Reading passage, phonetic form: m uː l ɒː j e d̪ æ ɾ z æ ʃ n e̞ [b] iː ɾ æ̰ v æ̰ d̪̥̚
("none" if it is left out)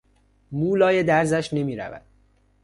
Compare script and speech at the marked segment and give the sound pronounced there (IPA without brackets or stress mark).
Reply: m